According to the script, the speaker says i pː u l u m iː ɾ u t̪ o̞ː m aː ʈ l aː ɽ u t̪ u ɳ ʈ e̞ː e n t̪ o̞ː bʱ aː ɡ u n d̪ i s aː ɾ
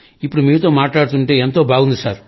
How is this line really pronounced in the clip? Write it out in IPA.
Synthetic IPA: i pː u ɽ u m iː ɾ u t̪ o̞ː m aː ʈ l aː ɽ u t̪ u ɳ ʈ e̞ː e n t̪ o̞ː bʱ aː ɡ u n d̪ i s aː ɾ